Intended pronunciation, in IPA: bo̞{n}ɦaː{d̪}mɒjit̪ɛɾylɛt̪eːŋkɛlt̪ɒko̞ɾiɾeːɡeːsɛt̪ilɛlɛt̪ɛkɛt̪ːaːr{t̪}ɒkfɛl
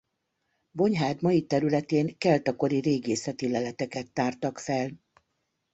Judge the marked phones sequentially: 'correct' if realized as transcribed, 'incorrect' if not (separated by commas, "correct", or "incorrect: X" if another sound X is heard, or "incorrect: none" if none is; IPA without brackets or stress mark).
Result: incorrect: ɲ, correct, correct